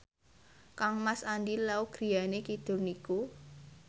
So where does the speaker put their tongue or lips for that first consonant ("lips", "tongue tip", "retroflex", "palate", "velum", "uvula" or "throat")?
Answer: velum